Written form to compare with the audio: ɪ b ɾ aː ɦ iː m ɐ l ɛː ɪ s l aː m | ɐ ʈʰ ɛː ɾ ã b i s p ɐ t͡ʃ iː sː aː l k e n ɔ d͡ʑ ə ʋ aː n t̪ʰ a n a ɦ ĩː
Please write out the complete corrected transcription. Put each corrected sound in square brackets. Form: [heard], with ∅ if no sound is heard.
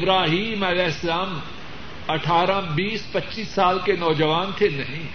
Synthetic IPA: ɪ b ɾ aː ɦ iː m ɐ l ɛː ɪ s l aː m | ɐ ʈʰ [aː] ɾ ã b [iː] s p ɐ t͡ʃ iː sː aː l k e n [ɔː] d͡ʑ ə ʋ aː n t̪ʰ [e] n [ɐ] ɦ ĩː